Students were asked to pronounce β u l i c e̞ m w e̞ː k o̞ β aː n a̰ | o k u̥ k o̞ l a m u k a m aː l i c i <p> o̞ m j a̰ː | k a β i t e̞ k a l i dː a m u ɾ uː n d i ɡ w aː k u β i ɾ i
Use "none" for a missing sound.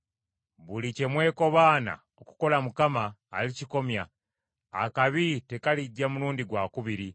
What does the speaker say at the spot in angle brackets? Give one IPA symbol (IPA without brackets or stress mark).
k